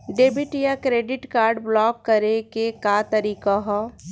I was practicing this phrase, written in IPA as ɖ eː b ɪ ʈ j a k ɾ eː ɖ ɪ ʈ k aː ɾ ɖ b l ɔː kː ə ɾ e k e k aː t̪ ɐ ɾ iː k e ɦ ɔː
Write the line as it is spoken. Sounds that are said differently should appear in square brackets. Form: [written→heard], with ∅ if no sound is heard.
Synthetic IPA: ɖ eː b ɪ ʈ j a k ɾ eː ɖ ɪ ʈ k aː ɾ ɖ b l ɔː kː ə ɾ e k e k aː t̪ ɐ ɾ iː k [e→a] ɦ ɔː